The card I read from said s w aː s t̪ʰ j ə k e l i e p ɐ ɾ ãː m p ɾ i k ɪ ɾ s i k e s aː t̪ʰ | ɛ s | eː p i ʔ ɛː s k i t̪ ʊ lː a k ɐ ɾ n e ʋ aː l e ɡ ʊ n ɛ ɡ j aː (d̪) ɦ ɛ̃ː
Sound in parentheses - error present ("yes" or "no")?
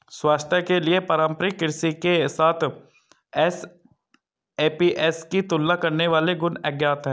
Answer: yes